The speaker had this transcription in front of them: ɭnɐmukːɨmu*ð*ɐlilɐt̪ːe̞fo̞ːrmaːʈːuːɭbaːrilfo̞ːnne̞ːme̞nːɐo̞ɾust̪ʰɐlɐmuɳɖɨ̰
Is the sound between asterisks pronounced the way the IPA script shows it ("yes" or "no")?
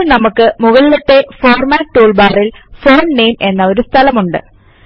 no